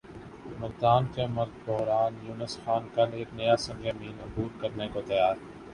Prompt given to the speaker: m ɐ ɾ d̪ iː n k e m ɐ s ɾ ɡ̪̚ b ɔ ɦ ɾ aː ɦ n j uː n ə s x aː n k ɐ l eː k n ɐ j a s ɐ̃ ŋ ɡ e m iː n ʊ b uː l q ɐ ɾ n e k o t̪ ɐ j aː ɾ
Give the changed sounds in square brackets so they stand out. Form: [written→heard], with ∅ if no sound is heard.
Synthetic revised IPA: m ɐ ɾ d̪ [iː→aː] n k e m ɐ [s→∅] ɾ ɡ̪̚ b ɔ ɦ ɾ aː [ɦ→∅] n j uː n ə s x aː n k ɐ l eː k n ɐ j a s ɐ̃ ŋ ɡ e m iː n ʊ b uː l [q→k] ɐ ɾ n e k o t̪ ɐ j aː ɾ